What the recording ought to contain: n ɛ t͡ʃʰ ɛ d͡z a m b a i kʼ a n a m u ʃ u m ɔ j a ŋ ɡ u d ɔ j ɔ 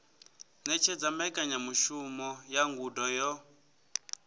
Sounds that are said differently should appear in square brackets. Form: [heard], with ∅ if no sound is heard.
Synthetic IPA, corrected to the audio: n ɛ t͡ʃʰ ɛ d͡z a m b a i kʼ a [ɲ] a m u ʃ u m ɔ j a ŋ ɡ u d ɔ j ɔ